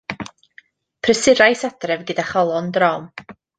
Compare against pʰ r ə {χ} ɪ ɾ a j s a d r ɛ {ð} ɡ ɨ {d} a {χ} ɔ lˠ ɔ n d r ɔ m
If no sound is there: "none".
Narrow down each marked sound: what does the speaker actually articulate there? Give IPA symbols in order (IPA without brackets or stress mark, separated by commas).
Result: s, v, d, χ